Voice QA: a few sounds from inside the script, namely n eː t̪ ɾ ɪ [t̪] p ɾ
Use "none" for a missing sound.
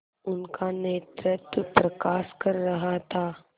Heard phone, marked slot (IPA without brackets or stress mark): t̪